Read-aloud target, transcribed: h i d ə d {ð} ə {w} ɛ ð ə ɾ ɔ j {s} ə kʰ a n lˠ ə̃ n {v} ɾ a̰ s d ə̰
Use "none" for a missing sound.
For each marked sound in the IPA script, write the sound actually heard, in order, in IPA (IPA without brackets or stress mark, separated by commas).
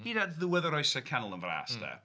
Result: ð, w, s, v